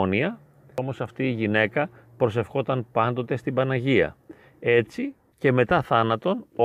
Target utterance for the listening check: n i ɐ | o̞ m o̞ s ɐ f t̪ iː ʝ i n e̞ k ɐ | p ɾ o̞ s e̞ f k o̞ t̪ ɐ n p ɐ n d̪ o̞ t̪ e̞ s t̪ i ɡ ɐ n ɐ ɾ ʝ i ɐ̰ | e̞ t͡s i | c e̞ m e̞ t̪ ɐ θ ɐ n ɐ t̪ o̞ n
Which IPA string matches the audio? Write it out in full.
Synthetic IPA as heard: n i ɐ | o̞ m o̞ s ɐ f t̪ iː ʝ i n e̞ k ɐ | p ɾ o̞ s e̞ f x o̞ t̪ ɐ n p ɐ n d̪ o̞ t̪ e̞ s t̪ i b ɐ n ɐ ʝ i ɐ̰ | e̞ t͡s i | c e̞ m e̞ t̪ ɐ θ ɐ n ɐ t̪ o̞ n